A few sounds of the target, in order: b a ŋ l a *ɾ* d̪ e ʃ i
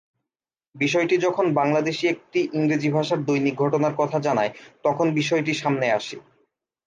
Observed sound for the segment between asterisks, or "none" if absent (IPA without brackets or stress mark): none